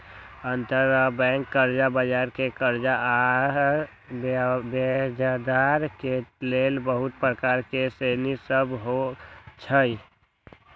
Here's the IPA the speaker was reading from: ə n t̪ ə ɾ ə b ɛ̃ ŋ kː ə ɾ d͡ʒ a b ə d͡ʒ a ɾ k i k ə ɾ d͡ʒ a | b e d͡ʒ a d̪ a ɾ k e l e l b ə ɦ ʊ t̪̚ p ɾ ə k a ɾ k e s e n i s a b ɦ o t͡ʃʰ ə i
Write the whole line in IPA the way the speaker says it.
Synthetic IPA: ə n t̪ ə ɾ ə b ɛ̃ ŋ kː ə ɾ d͡ʒ a b ə d͡ʒ a ɾ k e k ə ɾ d͡ʒ a | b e d͡ʒ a d̪ a ɾ k e l e l b ə ɦ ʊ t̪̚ p ɾ ə k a ɾ k e s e n i s ə b ɦ o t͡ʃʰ ə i